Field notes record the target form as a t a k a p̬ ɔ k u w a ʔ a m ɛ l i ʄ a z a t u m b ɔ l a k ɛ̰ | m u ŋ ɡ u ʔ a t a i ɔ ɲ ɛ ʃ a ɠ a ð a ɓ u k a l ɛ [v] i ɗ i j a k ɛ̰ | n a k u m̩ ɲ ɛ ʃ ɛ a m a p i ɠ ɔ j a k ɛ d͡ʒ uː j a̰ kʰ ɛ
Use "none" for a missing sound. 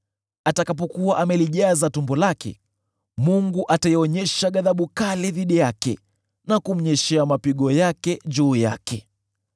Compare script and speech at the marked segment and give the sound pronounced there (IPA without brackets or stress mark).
ð